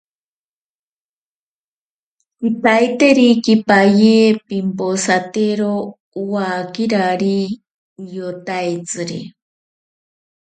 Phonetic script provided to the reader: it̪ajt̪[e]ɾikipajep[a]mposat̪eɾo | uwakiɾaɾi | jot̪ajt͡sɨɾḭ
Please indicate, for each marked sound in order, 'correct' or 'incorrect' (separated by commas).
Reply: correct, incorrect